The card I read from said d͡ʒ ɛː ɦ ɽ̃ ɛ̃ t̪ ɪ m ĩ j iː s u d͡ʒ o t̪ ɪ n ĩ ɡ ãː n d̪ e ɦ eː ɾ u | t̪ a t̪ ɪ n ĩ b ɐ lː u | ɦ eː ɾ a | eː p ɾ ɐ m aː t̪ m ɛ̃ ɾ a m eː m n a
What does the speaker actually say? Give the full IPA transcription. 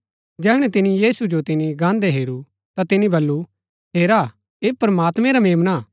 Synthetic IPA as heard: d͡ʒ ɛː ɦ ɽ̃ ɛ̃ t̪ ɪ n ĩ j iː s u d͡ʒ o t̪ ɪ n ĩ ɡ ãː n d̪ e ɦ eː ɾ u | t̪ a t̪ ɪ n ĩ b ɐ lː u | ɦ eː ɾ a | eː p ɾ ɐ m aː t̪ m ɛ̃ ɾ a m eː m n a

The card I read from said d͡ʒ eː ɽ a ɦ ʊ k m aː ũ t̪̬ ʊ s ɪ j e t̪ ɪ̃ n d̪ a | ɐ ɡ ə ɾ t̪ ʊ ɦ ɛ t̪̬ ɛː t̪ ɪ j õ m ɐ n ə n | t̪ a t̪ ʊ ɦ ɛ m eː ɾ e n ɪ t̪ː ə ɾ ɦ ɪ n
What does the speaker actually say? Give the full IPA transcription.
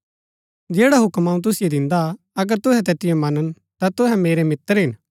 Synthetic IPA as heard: d͡ʒ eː ɽ a ɦ ʊ k m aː ũ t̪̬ ʊ s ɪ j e d̪ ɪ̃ n d̪ a | ɐ ɡ ə ɾ t̪ ʊ ɦ ɛ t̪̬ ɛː t̪ ɪ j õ m ɐ n ə n | t̪ a t̪ ʊ ɦ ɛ m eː ɾ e m ɪ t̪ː ə ɾ ɦ ɪ n

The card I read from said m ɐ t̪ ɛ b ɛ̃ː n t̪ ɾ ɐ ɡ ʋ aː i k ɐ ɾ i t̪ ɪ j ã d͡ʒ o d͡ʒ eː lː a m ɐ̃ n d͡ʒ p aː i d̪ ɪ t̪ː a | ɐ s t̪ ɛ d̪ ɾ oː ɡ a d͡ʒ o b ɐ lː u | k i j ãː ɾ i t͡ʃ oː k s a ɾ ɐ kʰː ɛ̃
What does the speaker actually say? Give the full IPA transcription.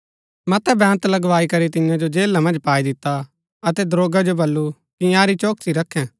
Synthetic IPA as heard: m ɐ t̪ ɛ b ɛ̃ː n t̪ l ɐ ɡ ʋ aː i k ɐ ɾ i t̪ ɪ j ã d͡ʒ o d͡ʒ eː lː a m ɐ̃ n d͡ʒ p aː i d̪ ɪ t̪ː a | ɐ t̪ ɛ d̪ ɾ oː ɡ a d͡ʒ o b ɐ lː u | k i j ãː ɾ i t͡ʃ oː k s i ɾ ɐ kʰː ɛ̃

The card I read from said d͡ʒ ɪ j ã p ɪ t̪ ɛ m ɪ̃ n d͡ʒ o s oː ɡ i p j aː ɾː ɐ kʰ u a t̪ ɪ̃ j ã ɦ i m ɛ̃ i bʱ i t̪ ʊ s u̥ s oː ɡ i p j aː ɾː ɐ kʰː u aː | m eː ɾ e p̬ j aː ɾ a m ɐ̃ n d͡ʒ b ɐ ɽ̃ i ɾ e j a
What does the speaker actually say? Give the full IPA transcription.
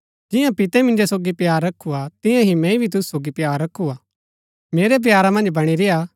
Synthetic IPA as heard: d͡ʒ ɪ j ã p ɪ t̪ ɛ m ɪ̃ n d͡ʒ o s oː ɡ i p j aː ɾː ɐ kʰ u a t̪ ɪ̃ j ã ɦ i m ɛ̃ i bʱ i t̪ ʊ s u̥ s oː ɡ i p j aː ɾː ɐ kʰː u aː | m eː ɾ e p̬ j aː ɾ a m ɐ̃ n d͡ʒ b ɐ ɽ̃ i ɾ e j a

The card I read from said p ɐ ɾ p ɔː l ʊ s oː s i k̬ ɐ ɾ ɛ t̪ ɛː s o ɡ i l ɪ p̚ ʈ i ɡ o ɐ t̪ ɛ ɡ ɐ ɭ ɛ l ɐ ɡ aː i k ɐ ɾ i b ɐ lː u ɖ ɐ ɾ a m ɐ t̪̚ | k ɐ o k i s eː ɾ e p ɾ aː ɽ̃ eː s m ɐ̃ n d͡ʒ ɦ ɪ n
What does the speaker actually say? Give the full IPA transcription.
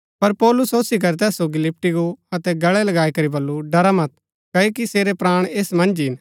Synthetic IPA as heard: p ɐ ɾ p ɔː l ʊ s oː s i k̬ ɐ ɾ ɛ t̪ ɛː s o ɡ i l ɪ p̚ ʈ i ɡ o ɐ t̪ ɛ ɡ ɐ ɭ ɛ l ɐ ɡ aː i k ɐ ɾ i b ɐ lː u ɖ ɐ ɾ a m ɐ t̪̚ | k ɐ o k i s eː ɾ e p ɾ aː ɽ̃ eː s m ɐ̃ n d͡ʒ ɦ ɪ n

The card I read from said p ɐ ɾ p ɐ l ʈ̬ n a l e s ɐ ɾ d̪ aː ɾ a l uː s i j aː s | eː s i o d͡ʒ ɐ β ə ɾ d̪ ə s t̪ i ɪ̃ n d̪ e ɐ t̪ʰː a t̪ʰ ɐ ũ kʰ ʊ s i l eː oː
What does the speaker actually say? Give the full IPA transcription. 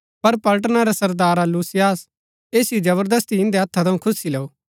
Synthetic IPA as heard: p ɐ ɾ p ɐ l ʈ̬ n a ɾ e s ɐ ɾ d̪ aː ɾ a l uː s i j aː s | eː s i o d͡ʒ ɐ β ə ɾ d̪ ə s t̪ i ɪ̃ n d̪ e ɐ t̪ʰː a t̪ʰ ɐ ũ kʰ ʊ s i l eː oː

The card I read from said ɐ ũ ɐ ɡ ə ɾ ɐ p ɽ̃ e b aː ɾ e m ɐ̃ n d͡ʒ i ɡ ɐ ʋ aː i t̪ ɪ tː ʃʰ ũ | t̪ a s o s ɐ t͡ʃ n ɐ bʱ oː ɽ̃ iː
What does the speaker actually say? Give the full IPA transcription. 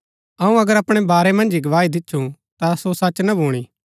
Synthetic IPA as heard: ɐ ũ ɐ ɡ ə ɾ ɐ p ɽ̃ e b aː ɾ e m ɐ̃ n d͡ʒ i ɡ ɐ ʋ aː i d̪ ɪ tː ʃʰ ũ | t̪ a s o s ɐ t͡ʃ n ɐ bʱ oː ɽ̃ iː

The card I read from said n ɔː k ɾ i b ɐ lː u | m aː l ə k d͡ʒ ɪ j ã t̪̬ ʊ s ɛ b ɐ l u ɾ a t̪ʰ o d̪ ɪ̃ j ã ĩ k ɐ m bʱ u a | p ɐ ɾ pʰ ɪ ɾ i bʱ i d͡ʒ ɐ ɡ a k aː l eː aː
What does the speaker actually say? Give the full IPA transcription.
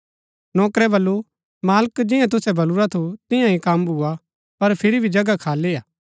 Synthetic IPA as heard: n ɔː k ɾ ɛ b ɐ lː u | m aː l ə k d͡ʒ ɪ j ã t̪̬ ʊ s ɛ b ɐ l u ɾ a t̪ʰ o t̪ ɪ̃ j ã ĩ k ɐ m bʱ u a | p ɐ ɾ pʰ ɪ ɾ i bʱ i d͡ʒ ɐ ɡ a kʰ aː l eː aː

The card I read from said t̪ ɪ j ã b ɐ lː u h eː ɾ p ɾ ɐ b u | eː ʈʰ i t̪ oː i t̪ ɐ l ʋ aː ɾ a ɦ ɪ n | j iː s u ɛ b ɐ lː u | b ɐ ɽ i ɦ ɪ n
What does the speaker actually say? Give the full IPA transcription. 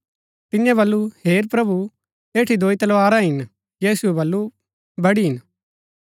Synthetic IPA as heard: t̪ ɪ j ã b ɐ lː u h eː ɾ p ɾ ɐ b u | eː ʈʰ i d̪ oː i t̪ ɐ l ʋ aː ɾ a ɦ ɪ n | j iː s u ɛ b ɐ lː u | b ɐ ɽ i ɦ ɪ n

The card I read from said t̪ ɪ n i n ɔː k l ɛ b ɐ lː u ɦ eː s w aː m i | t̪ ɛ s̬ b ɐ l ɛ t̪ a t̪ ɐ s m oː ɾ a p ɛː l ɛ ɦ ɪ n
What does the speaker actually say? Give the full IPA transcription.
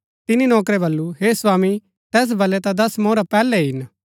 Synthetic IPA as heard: t̪ ɪ n i n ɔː k ɾ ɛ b ɐ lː u ɦ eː s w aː m i | t̪ ɛː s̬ b ɐ l ɛ t̪ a d̪ ɐ s m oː ɾ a p ɛː l ɛ ɦ ɪ n

